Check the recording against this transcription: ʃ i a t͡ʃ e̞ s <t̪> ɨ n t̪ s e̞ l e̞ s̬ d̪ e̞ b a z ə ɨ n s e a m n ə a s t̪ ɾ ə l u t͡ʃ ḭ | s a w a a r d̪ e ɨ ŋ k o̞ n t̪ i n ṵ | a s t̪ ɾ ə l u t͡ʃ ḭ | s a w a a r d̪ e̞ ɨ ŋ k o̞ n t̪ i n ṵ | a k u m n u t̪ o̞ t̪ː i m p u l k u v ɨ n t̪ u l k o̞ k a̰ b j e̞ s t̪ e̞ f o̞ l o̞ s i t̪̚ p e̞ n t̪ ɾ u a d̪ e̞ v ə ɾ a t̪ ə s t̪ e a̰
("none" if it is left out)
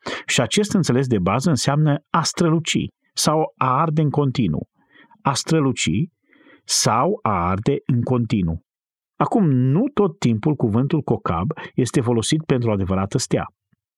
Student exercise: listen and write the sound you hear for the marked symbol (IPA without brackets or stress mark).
t̪